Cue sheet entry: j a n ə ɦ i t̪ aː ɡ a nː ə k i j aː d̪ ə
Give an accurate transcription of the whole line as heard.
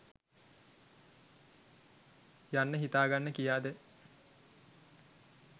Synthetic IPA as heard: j a nː ə ɦ i t̪ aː ɡ a nː ə k i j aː d̪ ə